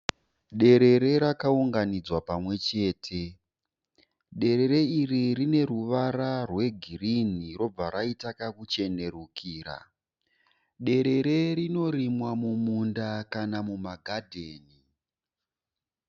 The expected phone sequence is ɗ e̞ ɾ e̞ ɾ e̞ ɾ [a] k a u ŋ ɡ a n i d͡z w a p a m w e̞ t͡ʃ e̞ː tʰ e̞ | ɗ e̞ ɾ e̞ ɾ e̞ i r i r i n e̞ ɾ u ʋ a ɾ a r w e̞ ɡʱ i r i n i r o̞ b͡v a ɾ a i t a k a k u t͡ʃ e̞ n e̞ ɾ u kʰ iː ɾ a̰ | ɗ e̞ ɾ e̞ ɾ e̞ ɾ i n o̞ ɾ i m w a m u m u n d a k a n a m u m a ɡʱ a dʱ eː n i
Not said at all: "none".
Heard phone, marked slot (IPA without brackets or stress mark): a